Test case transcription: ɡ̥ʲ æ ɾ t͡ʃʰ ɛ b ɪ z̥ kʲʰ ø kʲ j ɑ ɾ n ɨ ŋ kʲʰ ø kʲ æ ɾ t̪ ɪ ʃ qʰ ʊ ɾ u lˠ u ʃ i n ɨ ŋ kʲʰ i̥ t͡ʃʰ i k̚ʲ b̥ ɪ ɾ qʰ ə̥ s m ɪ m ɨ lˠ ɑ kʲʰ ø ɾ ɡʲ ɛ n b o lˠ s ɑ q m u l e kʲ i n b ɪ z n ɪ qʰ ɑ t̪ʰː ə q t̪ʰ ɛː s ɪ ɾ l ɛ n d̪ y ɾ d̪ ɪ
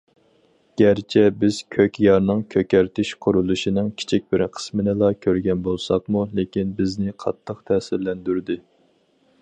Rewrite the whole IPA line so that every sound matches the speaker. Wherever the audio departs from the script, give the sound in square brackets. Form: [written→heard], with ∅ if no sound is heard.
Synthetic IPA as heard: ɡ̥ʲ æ ɾ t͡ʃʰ ɛ b ɪ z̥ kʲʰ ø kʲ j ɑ ɾ n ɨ ŋ kʲʰ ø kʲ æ ɾ t̪ ɪ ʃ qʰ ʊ ɾ u lˠ u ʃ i n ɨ ŋ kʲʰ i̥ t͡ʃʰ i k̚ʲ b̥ ɪ ɾ qʰ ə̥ s m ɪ [m→n] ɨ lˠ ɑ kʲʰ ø ɾ ɡʲ ɛ n b o lˠ s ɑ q m u l e kʲ i n b ɪ z n ɪ qʰ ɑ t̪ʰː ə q t̪ʰ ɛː s ɪ ɾ l ɛ n d̪ y ɾ d̪ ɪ